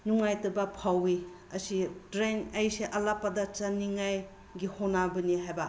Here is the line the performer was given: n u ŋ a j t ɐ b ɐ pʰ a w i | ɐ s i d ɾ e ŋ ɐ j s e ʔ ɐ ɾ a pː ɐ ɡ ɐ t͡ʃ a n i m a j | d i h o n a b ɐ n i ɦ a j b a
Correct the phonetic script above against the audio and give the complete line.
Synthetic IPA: n u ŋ a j t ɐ b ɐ pʰ a w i | ɐ s i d ɾ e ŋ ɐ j s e ʔ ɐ l a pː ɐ d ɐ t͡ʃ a n i ŋ a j | ɡ i h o n a b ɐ n i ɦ a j b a